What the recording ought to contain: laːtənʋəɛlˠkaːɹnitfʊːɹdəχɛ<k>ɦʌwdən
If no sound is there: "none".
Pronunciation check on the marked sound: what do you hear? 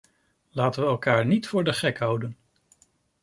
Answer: k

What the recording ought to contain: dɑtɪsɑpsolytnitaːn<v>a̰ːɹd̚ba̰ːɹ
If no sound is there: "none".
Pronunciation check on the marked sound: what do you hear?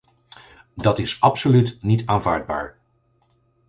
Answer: v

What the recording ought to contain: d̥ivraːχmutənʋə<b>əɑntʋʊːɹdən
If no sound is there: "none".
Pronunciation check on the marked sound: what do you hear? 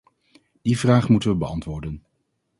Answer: b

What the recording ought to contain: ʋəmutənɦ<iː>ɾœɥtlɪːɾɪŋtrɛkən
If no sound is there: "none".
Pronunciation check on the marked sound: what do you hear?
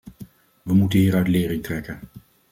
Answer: iː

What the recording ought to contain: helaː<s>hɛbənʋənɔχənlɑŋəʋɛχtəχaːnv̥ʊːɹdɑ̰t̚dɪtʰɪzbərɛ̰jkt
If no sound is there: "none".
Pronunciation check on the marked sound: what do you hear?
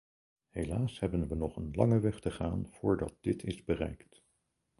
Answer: s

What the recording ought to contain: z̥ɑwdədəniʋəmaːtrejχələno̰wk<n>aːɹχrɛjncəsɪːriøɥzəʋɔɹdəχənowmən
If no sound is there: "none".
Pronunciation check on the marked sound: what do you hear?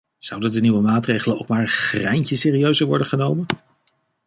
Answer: m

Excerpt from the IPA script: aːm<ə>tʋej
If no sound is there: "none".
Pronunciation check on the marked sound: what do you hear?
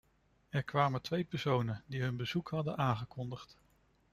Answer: ə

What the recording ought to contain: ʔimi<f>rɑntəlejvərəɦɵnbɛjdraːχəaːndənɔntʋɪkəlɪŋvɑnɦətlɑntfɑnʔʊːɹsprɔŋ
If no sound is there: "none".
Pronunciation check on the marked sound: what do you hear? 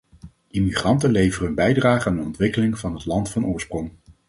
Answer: χ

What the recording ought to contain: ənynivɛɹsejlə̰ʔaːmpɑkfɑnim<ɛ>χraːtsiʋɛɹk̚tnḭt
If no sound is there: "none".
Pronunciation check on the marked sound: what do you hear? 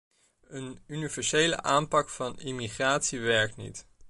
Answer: i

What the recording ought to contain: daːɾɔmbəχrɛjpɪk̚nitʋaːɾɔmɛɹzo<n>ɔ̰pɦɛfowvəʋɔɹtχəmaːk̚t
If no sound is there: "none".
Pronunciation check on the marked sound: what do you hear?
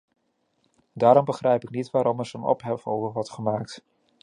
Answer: n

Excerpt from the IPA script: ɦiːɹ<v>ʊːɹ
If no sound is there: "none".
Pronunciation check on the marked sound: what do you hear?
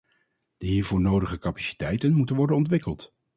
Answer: v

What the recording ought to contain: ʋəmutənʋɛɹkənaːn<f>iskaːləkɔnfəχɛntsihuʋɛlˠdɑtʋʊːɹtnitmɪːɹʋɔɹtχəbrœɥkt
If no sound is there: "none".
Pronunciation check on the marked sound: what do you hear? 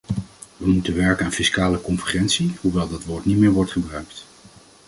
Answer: f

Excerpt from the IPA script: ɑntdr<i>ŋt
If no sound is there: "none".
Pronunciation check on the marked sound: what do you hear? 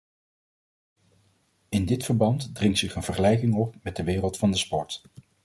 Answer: ɪ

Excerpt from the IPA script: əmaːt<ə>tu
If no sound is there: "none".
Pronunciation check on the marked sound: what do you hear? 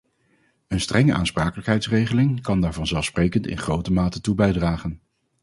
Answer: ə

